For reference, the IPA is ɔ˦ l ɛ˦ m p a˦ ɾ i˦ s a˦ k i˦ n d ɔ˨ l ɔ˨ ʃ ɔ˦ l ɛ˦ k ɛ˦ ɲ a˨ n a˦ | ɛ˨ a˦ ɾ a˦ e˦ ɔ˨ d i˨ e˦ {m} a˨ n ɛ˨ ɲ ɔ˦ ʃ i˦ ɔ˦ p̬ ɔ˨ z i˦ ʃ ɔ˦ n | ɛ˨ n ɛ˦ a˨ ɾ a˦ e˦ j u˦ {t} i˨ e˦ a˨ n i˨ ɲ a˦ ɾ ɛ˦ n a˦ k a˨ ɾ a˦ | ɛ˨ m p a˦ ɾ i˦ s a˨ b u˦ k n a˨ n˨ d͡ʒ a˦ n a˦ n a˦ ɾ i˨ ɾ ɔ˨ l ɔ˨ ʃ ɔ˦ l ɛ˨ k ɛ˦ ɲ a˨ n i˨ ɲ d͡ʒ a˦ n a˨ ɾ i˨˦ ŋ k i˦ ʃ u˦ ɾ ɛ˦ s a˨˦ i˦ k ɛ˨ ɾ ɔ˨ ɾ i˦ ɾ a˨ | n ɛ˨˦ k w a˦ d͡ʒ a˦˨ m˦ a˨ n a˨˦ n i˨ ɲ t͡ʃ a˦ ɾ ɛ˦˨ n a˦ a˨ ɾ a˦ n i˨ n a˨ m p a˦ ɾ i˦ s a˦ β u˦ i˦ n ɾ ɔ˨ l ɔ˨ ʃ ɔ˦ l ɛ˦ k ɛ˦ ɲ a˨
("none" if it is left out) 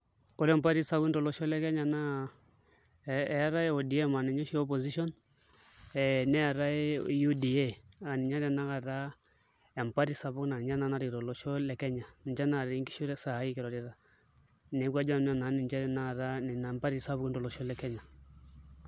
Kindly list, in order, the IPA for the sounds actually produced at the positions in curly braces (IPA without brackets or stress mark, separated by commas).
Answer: m, d